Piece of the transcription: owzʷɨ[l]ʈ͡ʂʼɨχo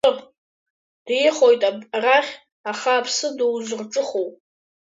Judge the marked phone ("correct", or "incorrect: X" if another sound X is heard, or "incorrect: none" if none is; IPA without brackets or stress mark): incorrect: r